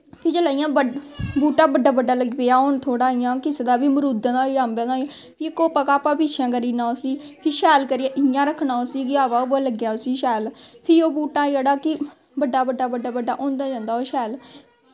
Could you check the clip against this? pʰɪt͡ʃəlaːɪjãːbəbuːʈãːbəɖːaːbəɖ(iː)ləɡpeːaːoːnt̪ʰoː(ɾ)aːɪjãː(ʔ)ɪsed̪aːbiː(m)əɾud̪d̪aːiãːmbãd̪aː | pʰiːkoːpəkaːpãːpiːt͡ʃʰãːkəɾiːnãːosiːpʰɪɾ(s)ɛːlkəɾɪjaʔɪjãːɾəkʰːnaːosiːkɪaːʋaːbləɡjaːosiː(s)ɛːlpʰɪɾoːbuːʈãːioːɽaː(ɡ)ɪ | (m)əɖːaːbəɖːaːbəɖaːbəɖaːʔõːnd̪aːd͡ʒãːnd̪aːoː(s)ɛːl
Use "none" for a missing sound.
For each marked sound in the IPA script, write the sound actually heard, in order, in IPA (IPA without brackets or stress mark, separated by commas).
aː, ɽ, k, m, ʃ, ʃ, k, b, ʃ